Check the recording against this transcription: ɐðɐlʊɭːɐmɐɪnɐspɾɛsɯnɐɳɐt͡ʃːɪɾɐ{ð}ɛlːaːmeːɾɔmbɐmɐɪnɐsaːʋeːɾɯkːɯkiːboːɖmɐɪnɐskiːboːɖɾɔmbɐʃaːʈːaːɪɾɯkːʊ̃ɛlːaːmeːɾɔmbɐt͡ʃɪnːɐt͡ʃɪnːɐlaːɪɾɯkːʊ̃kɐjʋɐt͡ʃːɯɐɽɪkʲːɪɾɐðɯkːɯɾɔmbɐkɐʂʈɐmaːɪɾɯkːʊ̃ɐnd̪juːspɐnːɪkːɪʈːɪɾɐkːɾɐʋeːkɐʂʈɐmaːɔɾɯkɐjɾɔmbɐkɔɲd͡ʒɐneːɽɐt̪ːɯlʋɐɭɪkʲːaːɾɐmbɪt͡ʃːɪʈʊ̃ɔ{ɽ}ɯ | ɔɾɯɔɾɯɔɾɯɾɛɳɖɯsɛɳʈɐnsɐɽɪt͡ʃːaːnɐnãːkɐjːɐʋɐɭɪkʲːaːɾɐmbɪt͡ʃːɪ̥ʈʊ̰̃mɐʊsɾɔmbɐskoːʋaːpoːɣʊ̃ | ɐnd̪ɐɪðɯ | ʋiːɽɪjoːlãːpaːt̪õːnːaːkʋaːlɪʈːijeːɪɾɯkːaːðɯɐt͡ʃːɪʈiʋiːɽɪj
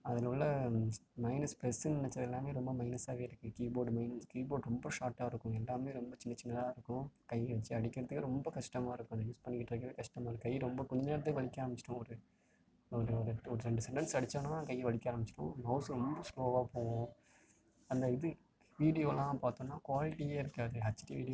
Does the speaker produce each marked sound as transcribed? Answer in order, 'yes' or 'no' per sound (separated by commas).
yes, no